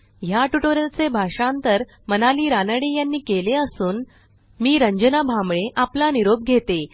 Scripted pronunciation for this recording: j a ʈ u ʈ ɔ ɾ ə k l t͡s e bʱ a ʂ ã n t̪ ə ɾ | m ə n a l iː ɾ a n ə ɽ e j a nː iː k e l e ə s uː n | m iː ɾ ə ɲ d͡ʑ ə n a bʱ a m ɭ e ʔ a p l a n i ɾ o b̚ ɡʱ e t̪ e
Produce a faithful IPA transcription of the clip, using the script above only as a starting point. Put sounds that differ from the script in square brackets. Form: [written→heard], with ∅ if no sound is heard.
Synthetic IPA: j a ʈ u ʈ [ɔ→o] ɾ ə [k→∅] l t͡s e bʱ a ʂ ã n t̪ ə ɾ | m ə n a l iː ɾ a n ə ɽ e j a nː iː k e l e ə s uː n | m iː ɾ ə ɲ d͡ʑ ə n a bʱ a m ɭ e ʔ a p l a n i ɾ o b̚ ɡʱ e t̪ e